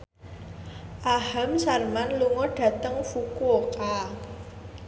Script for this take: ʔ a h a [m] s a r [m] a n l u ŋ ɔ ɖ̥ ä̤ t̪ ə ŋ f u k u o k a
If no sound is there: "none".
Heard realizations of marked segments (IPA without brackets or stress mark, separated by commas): m, m